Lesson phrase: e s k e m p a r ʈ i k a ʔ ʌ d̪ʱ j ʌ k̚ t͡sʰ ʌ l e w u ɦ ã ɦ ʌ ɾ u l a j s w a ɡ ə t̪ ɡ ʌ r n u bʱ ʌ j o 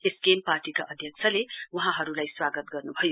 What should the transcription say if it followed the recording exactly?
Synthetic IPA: e s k e m p a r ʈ i k a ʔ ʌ d̪ʱ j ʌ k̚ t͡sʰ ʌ l e w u ɦ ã ɦ ʌ ɾ u l a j s w a ɡ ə t̪ ɡ ʌ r n u bʱ ʌ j o